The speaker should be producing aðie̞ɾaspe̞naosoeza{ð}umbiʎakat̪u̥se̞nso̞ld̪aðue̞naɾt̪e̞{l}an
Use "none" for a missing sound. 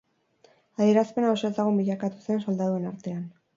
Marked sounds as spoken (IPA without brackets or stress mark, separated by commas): ɣ, none